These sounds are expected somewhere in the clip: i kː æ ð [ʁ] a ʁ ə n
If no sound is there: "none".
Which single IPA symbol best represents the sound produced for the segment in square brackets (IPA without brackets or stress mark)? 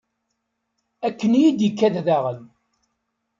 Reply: ð